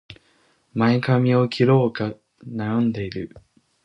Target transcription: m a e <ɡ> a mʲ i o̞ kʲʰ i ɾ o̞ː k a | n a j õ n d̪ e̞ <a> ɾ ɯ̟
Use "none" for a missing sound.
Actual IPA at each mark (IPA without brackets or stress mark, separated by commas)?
k, i